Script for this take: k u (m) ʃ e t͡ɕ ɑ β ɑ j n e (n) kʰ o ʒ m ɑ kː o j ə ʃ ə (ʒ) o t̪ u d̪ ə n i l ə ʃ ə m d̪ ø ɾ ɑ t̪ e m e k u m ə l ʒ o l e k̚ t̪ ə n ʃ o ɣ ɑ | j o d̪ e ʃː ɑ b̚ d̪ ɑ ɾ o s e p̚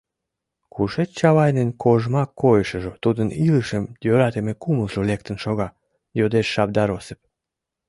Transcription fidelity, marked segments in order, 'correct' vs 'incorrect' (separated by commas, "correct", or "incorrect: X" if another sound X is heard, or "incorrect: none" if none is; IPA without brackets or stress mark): incorrect: none, correct, correct